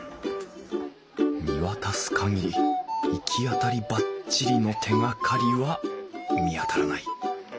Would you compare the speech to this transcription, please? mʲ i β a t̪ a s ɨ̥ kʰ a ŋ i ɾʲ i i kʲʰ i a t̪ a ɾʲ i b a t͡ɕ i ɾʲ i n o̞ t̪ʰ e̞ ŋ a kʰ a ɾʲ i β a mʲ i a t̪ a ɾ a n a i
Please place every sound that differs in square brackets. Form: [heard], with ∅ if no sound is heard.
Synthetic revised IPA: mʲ i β a t̪ a s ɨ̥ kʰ a ŋ i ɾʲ i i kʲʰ i a t̪ a ɾʲ i b a t͡ɕ i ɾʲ i n o̞ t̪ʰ e̞ ŋ a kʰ a ɾʲ i β a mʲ i a t̪ a ɾ a n a i